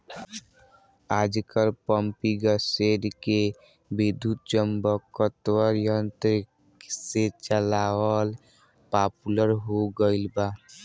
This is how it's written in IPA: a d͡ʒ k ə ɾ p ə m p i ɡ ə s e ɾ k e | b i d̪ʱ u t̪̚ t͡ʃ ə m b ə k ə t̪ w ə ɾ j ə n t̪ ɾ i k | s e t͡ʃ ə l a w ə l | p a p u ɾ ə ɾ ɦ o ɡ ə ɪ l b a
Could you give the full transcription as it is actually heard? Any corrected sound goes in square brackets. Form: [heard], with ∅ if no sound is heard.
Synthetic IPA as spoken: a d͡ʒ k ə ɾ p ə m p i ɡ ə s e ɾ k e | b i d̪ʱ u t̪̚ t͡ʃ ə m b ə k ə t̪ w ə ɾ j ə n t̪ ɾ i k | s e t͡ʃ ə l a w ə l | p a p u [l] ə ɾ ɦ o ɡ ə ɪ l b a